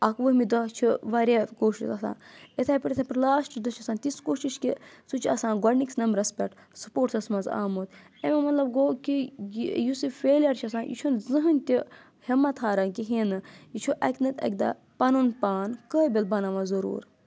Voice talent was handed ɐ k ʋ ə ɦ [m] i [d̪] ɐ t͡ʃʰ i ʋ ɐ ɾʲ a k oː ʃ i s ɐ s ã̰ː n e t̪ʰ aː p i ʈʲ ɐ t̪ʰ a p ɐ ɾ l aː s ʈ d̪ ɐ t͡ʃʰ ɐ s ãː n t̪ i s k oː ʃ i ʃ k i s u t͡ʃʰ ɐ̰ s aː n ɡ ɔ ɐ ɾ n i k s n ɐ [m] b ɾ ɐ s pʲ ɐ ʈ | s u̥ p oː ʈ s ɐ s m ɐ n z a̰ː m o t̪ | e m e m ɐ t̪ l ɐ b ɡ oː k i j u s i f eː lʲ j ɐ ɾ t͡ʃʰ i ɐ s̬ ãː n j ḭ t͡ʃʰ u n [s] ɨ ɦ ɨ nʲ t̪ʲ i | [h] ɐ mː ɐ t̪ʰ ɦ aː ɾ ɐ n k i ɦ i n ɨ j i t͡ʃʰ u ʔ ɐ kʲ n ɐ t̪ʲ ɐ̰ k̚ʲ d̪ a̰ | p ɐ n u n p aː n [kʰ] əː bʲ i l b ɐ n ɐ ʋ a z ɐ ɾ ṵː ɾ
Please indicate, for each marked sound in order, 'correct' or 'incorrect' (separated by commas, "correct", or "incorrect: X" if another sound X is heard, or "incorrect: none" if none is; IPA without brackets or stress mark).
correct, correct, correct, incorrect: z, correct, incorrect: k